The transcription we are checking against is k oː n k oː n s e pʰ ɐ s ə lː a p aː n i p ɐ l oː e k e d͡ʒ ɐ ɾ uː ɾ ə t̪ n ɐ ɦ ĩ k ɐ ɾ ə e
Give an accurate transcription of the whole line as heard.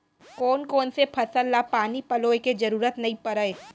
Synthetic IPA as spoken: k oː n k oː n s e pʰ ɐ s ə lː a p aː n i p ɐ l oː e k e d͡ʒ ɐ ɾ uː ɾ ə t̪ n ɐ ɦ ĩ p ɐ ɾ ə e